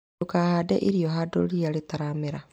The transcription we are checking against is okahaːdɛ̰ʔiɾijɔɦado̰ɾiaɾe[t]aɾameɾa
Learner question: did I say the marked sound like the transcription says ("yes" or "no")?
yes